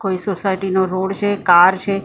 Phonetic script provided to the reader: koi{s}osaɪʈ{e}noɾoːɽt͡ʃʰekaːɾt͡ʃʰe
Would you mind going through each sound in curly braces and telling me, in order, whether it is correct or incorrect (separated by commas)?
correct, incorrect